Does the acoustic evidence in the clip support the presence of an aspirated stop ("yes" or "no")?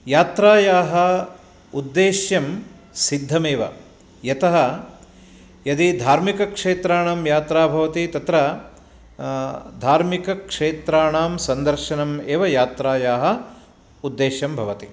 no